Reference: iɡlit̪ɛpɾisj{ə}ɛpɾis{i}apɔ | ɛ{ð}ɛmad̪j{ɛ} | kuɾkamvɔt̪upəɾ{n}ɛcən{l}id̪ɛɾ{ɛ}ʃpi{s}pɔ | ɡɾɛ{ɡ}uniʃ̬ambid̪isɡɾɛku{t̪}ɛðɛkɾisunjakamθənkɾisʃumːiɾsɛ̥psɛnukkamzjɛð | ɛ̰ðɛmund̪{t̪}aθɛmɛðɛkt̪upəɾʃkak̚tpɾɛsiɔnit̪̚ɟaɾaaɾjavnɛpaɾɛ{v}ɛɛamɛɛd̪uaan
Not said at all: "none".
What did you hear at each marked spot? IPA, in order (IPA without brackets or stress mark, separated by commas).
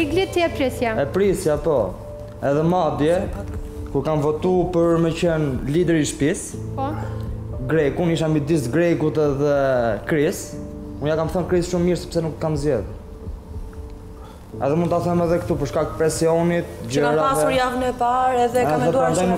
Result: a, j, ð, ɛ, m, l, i, s, k, t̪, t̪, ð